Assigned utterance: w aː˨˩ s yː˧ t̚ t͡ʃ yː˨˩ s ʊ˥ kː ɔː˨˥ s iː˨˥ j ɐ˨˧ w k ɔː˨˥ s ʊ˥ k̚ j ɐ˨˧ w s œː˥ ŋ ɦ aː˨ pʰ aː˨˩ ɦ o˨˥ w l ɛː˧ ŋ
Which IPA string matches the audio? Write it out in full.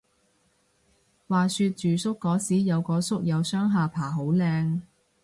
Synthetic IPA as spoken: w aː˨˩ s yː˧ t̚ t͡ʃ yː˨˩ s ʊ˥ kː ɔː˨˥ s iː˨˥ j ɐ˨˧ w k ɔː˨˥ s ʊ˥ k̚ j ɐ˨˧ w s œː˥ ŋ ɦ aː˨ pʰ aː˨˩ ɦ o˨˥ w l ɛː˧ ŋ